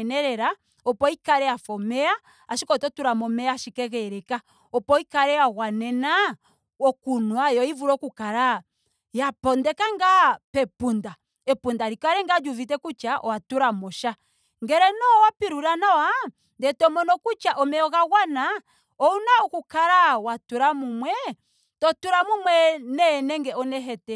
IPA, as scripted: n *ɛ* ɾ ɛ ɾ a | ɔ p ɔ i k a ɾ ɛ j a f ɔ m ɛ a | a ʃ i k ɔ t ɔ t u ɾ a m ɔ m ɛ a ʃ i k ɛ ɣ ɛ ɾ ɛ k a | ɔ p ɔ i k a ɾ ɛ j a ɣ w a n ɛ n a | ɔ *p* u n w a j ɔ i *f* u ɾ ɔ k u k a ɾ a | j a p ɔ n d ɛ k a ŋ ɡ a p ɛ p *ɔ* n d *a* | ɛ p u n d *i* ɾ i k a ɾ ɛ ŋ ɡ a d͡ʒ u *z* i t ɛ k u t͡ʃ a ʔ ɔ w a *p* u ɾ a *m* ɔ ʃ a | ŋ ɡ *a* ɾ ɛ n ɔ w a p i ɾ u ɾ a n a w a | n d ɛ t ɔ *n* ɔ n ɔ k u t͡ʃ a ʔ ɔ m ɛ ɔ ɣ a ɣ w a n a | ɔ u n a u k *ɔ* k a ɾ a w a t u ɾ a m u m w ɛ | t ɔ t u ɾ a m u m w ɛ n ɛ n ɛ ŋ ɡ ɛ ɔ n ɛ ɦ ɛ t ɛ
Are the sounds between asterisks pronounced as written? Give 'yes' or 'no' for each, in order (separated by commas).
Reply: yes, no, no, no, yes, no, no, no, yes, no, no, no